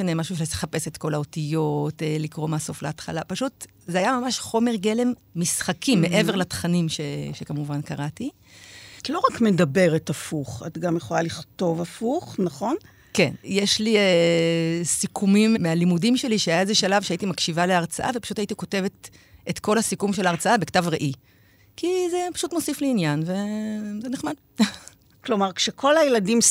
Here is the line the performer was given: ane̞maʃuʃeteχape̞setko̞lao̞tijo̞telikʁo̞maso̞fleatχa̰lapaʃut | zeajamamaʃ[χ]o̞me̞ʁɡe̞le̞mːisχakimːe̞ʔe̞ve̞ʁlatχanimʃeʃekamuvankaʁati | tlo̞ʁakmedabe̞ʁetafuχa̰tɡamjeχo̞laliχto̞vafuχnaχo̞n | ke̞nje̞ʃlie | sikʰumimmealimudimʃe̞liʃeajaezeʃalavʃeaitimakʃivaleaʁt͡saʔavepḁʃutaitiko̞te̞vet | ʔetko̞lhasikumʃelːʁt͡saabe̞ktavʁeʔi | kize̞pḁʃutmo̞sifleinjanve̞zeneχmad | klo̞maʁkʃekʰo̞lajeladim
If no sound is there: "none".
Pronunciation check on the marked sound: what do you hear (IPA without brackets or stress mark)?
χ